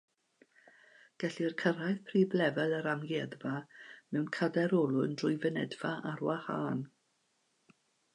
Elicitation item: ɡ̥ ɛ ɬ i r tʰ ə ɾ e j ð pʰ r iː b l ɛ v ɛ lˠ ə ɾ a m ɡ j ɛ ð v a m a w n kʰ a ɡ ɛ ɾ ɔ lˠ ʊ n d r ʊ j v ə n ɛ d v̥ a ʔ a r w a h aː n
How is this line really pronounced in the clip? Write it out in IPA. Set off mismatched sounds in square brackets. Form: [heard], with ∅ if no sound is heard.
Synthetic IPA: ɡ̥ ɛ ɬ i r [kʰ] ə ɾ [a] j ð pʰ r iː b l ɛ v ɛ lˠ ə ɾ a m ɡ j ɛ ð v a m [ɛ] w n kʰ a [d] ɛ ɾ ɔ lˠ ʊ n d r ʊ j v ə n ɛ d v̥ a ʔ a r w a h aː n